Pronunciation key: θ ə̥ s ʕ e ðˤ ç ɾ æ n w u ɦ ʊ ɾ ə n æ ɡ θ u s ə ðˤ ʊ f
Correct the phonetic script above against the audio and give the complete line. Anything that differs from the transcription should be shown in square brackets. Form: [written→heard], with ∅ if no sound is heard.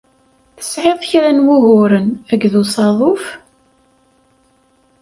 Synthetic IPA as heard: θ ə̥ s ʕ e ðˤ ç ɾ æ n w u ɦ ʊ ɾ ə n æ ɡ [θ→ð] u s [ə→ɑ] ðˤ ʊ f